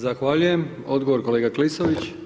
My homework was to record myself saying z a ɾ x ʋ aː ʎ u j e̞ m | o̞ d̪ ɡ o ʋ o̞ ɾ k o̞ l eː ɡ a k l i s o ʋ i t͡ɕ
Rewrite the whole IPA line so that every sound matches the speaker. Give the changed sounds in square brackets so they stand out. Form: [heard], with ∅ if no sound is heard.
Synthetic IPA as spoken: z a [∅] x ʋ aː ʎ u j e̞ m | o̞ d̪ ɡ o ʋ o̞ ɾ k o̞ l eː ɡ a k l i s o ʋ i t͡ɕ